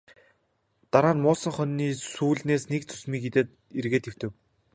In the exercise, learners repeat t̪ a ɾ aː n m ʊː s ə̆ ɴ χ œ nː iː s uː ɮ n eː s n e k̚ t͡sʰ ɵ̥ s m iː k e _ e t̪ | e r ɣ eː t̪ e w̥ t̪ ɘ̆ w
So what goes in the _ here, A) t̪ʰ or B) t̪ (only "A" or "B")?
B